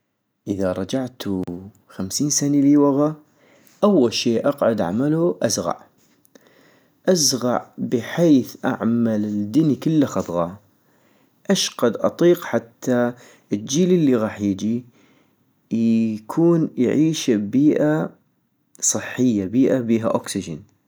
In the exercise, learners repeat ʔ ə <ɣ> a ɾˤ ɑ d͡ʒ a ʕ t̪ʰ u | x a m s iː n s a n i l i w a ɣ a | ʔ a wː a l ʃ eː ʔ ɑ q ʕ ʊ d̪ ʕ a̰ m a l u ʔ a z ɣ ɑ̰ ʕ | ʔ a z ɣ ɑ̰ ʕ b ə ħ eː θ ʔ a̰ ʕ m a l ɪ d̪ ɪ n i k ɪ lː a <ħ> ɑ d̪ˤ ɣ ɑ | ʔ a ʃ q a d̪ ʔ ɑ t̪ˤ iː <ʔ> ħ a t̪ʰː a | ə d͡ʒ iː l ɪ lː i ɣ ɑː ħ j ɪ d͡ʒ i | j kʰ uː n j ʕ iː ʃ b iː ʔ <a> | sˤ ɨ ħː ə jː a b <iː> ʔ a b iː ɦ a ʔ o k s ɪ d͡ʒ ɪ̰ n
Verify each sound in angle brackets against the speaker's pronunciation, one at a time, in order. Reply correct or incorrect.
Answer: incorrect: ð, incorrect: x, incorrect: q, correct, correct

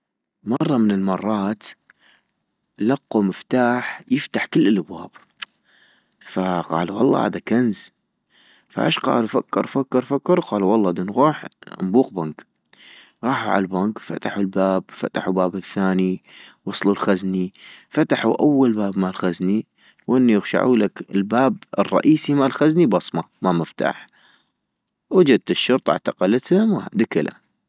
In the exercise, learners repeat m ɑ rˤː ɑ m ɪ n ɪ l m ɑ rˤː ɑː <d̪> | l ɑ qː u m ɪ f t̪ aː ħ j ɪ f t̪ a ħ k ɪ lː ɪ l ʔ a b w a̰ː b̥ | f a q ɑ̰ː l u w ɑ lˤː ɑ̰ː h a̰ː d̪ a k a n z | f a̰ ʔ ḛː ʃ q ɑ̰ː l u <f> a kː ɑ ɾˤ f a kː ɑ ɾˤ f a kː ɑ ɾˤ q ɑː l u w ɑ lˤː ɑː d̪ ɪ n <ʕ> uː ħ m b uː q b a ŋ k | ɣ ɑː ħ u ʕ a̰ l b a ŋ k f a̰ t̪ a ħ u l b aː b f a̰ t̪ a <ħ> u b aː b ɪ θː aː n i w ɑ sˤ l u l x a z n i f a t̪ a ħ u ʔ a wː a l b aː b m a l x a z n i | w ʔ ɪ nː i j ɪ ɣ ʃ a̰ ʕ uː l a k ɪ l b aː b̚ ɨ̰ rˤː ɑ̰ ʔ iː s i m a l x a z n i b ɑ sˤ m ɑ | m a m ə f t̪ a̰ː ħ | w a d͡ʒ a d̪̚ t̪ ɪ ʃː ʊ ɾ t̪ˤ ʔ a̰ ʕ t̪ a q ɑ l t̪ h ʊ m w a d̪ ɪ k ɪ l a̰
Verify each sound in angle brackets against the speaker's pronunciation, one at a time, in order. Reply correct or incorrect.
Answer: incorrect: t̪, correct, incorrect: ɣ, correct

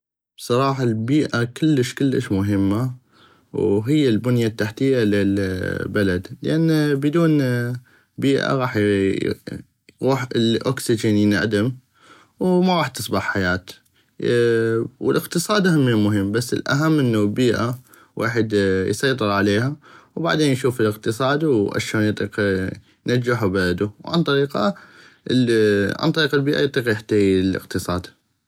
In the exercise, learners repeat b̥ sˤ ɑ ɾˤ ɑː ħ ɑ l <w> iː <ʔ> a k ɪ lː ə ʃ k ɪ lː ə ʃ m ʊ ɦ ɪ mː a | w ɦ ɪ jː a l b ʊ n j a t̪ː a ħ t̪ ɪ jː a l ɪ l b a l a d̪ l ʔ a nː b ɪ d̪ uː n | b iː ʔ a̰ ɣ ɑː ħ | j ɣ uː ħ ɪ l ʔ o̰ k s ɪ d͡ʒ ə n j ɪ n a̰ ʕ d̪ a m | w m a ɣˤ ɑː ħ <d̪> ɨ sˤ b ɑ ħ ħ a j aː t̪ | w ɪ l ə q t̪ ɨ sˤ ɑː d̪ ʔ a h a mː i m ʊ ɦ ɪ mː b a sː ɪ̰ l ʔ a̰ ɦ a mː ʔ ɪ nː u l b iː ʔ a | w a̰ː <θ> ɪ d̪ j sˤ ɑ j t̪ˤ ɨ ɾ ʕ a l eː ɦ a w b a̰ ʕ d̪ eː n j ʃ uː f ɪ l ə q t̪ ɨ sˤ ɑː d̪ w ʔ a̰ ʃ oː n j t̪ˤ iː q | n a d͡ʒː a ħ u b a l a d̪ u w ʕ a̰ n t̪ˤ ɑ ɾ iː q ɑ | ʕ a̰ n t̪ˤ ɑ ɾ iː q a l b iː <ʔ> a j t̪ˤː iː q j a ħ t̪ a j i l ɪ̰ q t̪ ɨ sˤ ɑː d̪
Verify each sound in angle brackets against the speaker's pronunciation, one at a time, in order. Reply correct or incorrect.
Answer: incorrect: b, correct, incorrect: t̪, incorrect: ħ, correct

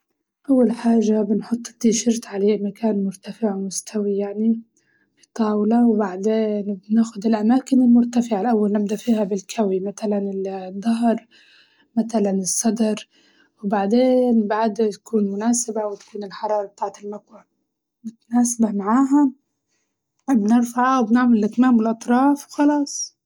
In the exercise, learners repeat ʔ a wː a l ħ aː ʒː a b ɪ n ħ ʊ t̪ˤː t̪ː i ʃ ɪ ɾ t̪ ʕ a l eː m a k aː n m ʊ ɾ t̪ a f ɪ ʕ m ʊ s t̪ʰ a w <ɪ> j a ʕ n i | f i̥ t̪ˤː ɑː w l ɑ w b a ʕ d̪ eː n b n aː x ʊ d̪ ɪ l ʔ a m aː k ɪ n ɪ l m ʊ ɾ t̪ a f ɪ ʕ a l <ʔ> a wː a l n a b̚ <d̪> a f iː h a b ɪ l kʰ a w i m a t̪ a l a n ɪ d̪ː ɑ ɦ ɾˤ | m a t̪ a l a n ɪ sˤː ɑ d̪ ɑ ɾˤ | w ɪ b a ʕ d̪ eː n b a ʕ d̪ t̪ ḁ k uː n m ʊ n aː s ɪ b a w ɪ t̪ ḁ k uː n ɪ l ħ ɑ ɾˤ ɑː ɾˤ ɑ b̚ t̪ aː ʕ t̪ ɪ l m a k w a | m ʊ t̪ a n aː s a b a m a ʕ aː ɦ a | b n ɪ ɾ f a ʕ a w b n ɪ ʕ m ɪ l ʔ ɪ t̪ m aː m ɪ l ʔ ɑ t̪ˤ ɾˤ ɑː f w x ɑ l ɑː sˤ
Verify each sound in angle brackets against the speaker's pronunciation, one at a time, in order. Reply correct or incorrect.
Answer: incorrect: i, correct, correct

